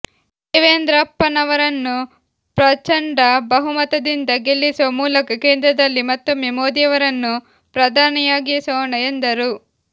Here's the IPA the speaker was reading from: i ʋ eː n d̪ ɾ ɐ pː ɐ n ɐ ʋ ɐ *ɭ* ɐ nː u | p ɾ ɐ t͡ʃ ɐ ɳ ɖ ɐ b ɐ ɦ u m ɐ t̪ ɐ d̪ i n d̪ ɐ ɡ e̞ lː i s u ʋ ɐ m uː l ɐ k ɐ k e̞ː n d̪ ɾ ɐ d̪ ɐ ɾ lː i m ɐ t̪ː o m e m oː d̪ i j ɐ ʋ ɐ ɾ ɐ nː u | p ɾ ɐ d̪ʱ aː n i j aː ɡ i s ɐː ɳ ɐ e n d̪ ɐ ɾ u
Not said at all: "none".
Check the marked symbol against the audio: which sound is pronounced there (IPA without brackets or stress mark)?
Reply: ɾ